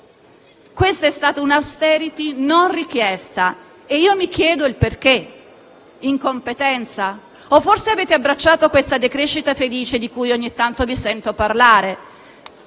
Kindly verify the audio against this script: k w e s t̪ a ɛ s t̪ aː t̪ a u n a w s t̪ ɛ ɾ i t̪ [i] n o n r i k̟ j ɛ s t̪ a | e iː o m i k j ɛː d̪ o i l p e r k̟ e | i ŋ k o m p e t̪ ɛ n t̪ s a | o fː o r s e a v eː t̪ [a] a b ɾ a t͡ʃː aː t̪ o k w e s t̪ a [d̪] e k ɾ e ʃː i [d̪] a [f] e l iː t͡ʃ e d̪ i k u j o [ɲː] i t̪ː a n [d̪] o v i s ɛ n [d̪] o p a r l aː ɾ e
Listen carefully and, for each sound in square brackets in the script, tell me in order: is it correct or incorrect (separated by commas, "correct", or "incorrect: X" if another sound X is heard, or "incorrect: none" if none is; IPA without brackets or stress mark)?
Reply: correct, incorrect: e, correct, incorrect: t̪, correct, correct, incorrect: t̪, incorrect: t̪